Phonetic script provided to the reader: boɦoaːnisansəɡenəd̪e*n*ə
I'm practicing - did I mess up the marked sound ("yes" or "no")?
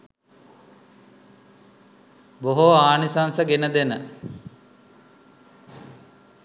no